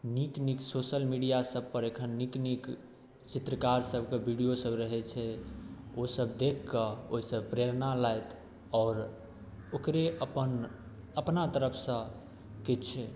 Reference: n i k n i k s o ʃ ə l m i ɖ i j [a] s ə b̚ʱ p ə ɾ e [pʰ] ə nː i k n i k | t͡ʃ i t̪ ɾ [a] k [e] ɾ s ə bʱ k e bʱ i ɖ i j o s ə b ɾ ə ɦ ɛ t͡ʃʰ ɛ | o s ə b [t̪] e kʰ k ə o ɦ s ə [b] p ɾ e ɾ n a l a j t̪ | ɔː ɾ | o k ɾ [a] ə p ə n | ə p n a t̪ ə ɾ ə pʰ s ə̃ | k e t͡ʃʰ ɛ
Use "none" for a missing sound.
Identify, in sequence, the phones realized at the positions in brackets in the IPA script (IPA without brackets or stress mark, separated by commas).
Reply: a, kʰ, ə, a, d̪, b, e